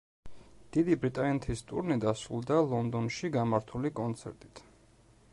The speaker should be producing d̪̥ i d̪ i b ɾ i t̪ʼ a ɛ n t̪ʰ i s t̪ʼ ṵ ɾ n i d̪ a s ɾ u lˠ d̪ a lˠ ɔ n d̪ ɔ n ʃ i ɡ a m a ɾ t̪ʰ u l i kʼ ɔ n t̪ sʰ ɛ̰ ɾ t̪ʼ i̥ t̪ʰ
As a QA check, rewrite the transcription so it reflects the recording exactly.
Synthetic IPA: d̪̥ i d̪ i b ɾ i t̪ʼ a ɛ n t̪ʰ i s t̪ʼ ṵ ɾ n i d̪ a s ɾ u lˠ d̪ a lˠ ɔ n d̪ ɔ n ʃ i ɡ a m a ɾ t̪ʰ u l i kʼ ɔ n t̪ sʰ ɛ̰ ɾ t̪ʼ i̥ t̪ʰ